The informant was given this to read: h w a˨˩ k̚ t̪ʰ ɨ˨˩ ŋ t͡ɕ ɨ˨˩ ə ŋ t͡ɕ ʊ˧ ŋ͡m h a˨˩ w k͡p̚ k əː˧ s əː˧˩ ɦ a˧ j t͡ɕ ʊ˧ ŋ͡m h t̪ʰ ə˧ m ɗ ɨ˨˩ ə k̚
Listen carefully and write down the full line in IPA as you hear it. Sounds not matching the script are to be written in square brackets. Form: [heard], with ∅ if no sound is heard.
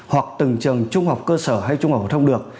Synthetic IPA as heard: h w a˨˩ k̚ [t̪] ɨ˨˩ ŋ t͡ɕ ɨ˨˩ ə ŋ t͡ɕ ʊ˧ ŋ͡m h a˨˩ w k͡p̚ k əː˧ s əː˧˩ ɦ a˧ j t͡ɕ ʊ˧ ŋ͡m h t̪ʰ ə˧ [ŋ͡m] ɗ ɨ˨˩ ə k̚